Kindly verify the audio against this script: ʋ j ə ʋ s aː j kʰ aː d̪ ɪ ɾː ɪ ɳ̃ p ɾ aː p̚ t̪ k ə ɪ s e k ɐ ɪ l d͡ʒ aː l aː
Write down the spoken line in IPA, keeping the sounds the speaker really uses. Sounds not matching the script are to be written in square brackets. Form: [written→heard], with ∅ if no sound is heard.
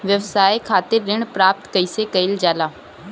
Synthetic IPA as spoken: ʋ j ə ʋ s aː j kʰ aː [d̪→t̪] ɪ ɾː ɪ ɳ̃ p ɾ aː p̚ t̪ k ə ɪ s e k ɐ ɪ l d͡ʒ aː l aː

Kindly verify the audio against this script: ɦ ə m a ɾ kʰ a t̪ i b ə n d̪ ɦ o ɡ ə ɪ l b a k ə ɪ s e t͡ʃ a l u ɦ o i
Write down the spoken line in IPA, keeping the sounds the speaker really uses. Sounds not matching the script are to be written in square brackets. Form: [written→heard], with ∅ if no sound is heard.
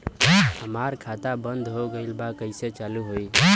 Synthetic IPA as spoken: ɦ ə m a ɾ kʰ a t̪ [i→a] b ə n d̪ ɦ o ɡ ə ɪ l b a k ə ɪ s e t͡ʃ a l u ɦ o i

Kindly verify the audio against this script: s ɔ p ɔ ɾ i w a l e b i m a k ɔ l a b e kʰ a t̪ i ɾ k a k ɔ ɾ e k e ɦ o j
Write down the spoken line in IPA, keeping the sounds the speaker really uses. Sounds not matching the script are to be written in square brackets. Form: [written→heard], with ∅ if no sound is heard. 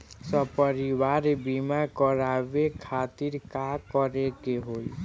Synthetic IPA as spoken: s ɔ p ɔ ɾ i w a [l→ɾ] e b i m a k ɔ [l→ɾ] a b e kʰ a t̪ i ɾ k a k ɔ ɾ e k e ɦ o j

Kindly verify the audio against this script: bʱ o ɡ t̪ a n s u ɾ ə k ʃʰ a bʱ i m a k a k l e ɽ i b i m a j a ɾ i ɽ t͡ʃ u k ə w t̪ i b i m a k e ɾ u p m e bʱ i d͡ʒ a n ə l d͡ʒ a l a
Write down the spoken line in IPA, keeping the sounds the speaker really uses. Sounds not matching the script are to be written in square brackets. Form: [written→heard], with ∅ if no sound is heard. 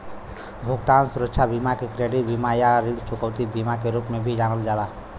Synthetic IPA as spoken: bʱ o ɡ t̪ a n s u ɾ ə k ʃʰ a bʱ i m a k [a→e] k [l→ɾ] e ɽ i b i m a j a ɾ i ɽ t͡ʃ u k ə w t̪ i b i m a k e ɾ u p m e bʱ i d͡ʒ a n ə l d͡ʒ a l a

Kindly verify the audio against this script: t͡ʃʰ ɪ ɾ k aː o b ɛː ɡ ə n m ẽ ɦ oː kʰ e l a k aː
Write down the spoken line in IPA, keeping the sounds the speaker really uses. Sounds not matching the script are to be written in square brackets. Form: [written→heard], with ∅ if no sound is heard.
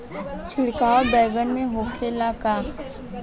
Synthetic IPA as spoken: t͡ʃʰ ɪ [ɾ→ɽ] k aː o b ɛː ɡ ə n m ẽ ɦ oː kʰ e l a k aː

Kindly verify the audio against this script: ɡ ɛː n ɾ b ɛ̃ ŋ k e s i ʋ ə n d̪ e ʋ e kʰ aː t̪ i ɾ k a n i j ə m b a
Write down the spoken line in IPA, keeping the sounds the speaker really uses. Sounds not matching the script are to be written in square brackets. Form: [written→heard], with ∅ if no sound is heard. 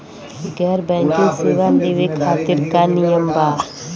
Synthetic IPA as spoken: ɡ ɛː [n→∅] ɾ b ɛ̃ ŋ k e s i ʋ [ə→a] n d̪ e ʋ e kʰ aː t̪ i ɾ k a n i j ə m b a

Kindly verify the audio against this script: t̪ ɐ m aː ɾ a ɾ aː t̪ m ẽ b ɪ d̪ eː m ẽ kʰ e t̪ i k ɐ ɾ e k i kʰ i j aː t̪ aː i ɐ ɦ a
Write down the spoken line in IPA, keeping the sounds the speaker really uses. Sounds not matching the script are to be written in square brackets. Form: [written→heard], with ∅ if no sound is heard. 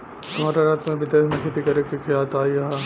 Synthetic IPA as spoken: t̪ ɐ m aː ɾ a ɾ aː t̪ m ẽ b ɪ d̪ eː m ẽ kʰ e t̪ i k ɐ ɾ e k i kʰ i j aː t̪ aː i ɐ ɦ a

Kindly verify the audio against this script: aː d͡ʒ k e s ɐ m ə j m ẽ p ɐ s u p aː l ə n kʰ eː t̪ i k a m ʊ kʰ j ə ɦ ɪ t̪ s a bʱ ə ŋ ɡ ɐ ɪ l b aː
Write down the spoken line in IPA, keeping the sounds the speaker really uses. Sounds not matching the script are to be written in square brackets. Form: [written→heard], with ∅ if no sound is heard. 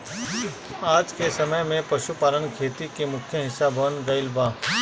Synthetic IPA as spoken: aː d͡ʒ k e s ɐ m ə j m ẽ p ɐ [s→ʃ] u p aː l ə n kʰ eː t̪ i k [a→e] m ʊ kʰ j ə ɦ ɪ [t̪→∅] s a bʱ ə [ŋ→n] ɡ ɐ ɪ l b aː

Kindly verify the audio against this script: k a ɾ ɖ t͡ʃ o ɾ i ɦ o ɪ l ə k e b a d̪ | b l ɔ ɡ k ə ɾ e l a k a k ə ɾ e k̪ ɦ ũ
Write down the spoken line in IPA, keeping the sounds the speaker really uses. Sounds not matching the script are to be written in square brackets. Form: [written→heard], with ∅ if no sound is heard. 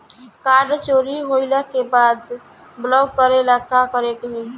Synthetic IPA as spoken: k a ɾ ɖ t͡ʃ o ɾ i ɦ o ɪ l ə k e b a d̪ | b l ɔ ɡ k ə ɾ e l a k a k ə ɾ e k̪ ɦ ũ

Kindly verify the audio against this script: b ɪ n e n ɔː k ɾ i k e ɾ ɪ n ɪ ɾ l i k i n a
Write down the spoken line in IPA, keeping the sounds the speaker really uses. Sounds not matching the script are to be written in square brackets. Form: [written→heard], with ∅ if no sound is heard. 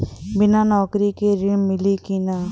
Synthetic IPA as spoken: b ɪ n [e→a] n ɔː k ɾ i k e ɾ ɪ [n→m] ɪ [ɾ→∅] l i k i n a

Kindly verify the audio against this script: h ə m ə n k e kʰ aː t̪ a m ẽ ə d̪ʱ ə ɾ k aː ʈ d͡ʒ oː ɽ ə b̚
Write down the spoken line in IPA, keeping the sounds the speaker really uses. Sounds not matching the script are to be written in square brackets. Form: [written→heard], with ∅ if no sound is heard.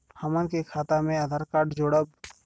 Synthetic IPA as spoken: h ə m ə n k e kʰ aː t̪ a m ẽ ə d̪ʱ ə ɾ k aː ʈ d͡ʒ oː ɽ ə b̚

